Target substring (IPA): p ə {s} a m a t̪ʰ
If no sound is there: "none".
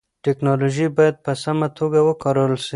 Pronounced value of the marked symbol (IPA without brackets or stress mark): s